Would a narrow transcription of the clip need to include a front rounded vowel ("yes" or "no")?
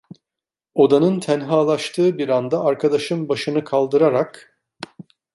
no